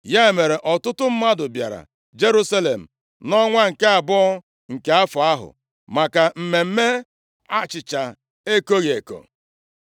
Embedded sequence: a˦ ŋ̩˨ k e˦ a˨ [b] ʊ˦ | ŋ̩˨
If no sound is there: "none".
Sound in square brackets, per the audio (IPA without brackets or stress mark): b